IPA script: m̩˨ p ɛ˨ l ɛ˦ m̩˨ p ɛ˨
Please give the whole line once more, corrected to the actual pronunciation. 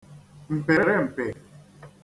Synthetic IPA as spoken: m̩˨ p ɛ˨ ɾ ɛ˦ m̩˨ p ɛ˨